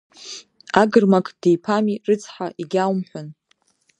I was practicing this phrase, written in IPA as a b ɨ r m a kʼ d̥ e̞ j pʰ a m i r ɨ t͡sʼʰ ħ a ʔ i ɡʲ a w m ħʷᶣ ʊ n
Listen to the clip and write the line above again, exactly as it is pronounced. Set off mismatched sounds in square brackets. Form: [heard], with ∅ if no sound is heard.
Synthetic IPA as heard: a [ɡ] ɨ r m a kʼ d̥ e̞ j pʰ a m i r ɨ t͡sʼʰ ħ a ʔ i ɡʲ a w m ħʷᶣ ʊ n